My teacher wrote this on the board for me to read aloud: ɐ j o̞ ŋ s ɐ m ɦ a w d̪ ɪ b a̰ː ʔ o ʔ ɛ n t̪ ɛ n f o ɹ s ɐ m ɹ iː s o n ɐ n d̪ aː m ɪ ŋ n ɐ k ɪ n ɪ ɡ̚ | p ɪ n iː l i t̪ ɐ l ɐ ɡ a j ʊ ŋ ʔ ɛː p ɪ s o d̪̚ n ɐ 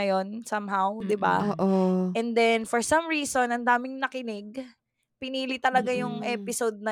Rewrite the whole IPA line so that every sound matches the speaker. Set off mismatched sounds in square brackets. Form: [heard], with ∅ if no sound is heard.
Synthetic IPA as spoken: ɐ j o̞ [n] s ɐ m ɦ a w d̪ ɪ b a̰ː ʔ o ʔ ɛ n [d̪] ɛ n f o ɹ s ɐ m ɹ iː s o n ɐ n d̪ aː m ɪ ŋ n ɐ k ɪ n ɪ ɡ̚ | p ɪ n iː l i t̪ ɐ l ɐ ɡ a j ʊ ŋ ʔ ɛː p ɪ s o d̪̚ n ɐ